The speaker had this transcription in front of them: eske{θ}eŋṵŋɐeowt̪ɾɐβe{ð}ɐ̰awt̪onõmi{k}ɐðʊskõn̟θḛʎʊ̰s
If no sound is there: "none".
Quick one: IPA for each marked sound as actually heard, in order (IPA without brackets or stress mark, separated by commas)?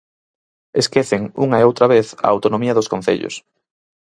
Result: θ, θ, none